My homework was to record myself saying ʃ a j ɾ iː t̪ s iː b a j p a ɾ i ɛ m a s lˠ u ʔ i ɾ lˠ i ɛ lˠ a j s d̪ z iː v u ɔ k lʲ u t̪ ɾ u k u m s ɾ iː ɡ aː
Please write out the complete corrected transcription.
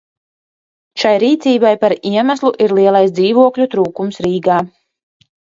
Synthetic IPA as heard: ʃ a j ɾ iː t̪ s iː b a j p a ɾ i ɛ m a s lˠ u ʔ i ɾ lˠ i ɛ lˠ a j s d̪ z iː v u ɔ k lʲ u t̪ ɾ uː k u m s ɾ iː ɡ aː